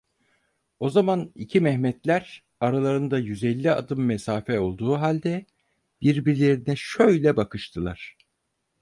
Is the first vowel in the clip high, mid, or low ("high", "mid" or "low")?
mid